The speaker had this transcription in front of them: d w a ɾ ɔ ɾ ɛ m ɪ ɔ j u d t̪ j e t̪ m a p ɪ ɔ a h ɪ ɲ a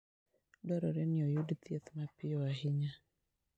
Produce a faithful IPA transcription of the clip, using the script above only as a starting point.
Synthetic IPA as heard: d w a ɾ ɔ ɾ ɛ n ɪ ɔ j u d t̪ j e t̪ m a p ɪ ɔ a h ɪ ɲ a